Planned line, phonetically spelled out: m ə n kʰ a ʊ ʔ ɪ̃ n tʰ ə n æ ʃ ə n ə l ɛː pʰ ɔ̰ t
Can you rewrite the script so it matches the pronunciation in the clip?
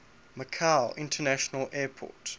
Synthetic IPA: m ə kʰ a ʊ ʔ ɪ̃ n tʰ ə n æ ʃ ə n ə l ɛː pʰ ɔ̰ t